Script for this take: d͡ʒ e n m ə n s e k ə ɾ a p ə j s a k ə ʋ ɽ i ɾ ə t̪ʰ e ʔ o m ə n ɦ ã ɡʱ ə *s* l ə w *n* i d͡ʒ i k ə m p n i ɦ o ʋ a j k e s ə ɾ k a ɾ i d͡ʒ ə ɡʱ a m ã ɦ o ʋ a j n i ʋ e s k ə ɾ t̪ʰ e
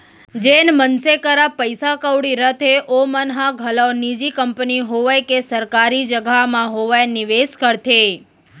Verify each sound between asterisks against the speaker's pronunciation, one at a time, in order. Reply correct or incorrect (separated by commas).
incorrect, correct